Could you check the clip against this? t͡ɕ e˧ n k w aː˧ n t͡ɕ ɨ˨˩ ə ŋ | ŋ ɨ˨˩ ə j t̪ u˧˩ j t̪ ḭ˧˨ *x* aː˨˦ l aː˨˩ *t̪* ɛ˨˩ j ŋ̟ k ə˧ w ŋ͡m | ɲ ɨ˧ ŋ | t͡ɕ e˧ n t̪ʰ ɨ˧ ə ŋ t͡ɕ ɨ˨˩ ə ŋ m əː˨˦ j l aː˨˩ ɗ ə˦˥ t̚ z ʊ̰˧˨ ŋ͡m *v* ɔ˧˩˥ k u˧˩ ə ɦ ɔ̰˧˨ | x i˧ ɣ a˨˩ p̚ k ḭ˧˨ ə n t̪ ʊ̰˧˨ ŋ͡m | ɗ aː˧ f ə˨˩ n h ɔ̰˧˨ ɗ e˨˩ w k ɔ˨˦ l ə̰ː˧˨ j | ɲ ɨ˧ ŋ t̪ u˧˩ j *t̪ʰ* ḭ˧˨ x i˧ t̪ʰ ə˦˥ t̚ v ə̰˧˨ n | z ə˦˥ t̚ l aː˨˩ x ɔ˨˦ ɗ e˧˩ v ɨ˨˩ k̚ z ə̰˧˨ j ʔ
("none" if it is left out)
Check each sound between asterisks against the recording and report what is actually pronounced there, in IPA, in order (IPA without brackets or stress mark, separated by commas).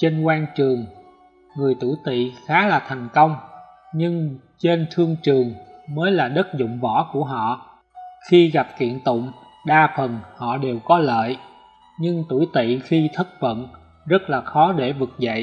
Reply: x, t̪ʰ, v, t̪